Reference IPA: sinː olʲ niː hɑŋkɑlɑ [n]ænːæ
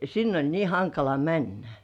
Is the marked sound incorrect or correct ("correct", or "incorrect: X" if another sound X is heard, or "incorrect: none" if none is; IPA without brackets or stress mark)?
incorrect: m